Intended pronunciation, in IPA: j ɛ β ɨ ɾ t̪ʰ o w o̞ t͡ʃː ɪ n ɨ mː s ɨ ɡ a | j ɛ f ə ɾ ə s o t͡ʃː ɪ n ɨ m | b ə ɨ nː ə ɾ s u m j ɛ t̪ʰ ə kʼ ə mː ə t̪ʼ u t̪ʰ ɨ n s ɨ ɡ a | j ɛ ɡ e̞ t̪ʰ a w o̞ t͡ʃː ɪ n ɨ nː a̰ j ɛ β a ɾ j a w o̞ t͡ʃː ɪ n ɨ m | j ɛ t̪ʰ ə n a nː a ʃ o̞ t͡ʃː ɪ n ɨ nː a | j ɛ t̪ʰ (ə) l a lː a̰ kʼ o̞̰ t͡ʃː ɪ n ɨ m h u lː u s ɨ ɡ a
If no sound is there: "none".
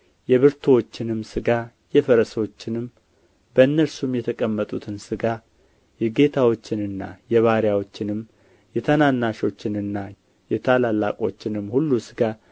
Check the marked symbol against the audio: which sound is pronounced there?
a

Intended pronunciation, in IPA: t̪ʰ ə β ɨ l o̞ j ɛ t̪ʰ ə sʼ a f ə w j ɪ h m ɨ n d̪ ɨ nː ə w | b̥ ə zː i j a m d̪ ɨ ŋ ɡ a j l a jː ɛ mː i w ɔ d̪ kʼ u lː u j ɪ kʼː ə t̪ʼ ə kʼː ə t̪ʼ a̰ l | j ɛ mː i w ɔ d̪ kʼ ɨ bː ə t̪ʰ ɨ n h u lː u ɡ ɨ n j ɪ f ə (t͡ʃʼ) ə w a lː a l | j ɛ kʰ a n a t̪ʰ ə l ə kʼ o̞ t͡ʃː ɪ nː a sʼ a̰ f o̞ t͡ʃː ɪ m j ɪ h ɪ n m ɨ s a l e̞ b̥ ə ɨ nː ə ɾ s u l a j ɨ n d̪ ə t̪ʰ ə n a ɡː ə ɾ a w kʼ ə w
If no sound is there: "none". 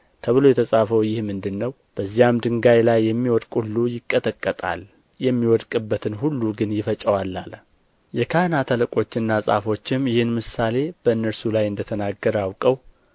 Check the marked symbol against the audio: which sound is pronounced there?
t͡ʃʼ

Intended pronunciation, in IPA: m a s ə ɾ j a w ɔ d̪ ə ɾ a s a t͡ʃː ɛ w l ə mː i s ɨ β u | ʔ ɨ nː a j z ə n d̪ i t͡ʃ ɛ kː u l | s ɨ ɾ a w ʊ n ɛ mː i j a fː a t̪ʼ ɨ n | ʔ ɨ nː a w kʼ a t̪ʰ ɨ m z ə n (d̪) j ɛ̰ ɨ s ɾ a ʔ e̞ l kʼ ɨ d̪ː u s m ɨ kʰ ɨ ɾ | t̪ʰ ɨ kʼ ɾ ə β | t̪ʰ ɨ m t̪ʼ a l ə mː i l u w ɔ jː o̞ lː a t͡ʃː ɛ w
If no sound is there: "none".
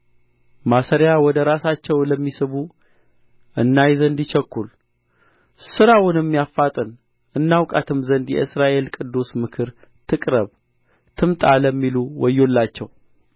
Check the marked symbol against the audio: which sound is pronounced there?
d̪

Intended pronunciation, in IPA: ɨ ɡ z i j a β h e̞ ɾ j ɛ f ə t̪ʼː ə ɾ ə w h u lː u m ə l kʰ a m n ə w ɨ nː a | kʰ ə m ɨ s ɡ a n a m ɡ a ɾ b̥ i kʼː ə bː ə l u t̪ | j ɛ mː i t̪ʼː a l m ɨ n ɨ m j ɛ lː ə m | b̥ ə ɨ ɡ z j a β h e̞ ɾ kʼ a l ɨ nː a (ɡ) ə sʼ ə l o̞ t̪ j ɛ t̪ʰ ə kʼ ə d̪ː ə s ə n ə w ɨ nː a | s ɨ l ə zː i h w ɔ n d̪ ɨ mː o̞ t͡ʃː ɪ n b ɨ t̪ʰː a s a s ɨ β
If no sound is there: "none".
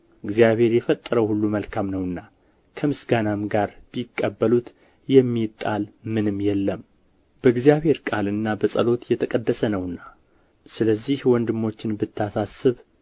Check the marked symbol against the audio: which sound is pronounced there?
b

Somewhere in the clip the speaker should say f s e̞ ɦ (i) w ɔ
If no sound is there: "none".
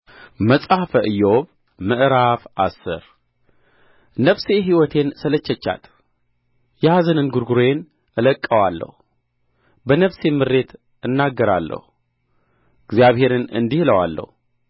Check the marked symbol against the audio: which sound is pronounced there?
i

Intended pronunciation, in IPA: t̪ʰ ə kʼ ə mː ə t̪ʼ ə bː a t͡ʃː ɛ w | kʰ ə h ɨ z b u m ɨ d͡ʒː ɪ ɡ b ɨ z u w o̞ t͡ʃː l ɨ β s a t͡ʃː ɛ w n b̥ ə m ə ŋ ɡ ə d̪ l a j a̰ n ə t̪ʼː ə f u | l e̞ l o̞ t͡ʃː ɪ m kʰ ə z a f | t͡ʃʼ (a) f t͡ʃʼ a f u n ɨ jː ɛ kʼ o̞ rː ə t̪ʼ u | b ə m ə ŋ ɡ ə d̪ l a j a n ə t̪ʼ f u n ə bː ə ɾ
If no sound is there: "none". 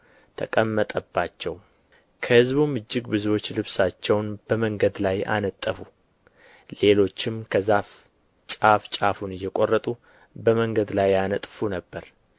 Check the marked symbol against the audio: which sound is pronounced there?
a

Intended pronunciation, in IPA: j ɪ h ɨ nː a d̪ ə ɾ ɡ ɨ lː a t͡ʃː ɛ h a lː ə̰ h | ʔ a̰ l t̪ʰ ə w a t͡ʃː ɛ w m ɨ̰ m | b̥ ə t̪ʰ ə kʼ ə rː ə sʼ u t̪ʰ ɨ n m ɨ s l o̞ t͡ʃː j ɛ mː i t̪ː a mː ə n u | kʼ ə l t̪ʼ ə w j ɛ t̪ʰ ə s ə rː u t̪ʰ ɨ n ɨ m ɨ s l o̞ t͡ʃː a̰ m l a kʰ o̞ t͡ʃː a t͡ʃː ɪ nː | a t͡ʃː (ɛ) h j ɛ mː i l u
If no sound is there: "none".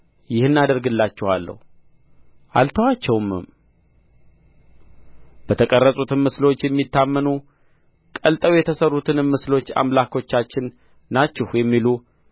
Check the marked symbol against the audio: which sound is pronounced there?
ɛ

